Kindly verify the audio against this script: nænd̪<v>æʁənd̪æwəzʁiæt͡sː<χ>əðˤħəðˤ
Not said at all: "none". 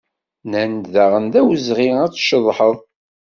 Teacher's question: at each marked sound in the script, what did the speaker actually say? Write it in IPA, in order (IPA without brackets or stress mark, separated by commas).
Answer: ð, ʃ